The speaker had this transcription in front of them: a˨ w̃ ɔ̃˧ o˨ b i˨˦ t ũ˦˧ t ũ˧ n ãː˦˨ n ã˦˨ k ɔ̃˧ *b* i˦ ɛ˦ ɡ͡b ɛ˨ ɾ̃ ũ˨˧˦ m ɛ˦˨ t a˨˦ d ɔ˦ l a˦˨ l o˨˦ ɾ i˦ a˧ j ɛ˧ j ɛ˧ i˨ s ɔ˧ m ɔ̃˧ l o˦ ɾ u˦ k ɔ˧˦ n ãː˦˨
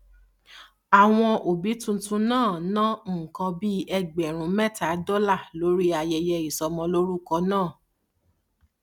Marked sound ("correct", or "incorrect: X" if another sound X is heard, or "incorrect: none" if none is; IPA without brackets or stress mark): correct